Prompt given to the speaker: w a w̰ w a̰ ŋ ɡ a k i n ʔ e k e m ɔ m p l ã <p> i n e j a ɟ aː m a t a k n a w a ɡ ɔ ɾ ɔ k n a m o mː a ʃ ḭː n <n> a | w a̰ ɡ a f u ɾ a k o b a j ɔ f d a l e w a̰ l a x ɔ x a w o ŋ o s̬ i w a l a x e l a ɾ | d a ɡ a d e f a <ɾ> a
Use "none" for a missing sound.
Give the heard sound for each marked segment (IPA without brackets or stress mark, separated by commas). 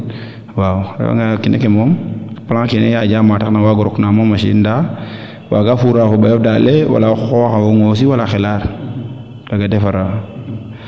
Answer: k, d, ɾ